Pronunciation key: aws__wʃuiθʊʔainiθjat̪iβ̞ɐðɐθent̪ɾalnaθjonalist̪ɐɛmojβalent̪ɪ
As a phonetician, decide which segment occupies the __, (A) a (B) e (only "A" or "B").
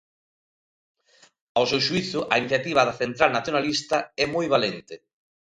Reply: B